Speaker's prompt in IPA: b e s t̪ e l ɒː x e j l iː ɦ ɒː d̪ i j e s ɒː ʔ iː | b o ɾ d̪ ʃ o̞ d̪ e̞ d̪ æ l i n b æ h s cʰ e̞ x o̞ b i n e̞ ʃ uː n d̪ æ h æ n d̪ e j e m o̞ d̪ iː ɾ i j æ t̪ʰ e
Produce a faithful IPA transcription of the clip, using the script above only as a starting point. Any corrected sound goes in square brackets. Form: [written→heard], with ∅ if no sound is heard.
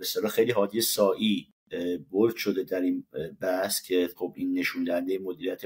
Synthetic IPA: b e s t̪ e l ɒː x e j l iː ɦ ɒː d̪ i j e s ɒː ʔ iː | b o ɾ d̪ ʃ o̞ d̪ e̞ d̪ æ [l→ɾ] i n b æ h s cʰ e̞ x o̞ b i [n→nː] e̞ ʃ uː n d̪ æ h æ n d̪ e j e m o̞ d̪ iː ɾ i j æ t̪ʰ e